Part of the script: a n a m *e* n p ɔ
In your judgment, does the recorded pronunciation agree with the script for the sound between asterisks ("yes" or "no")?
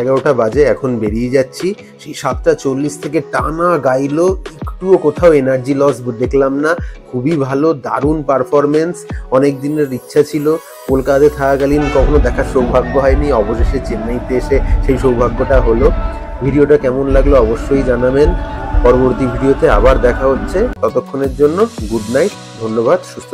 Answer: yes